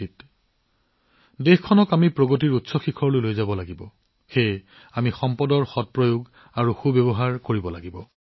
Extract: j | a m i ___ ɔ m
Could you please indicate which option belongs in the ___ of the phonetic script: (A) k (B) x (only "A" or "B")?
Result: B